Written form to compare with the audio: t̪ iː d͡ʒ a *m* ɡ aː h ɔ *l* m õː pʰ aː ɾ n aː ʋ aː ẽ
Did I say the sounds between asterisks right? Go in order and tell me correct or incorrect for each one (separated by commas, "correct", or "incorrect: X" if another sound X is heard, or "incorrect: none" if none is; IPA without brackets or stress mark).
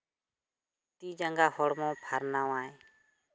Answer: incorrect: ŋ, incorrect: ɽ